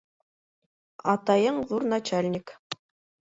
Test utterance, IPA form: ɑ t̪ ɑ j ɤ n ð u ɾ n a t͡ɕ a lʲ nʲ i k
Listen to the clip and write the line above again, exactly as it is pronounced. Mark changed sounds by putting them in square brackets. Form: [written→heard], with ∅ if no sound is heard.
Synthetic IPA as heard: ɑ t̪ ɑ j ɤ [n→ɴ] ð u ɾ n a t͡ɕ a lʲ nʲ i k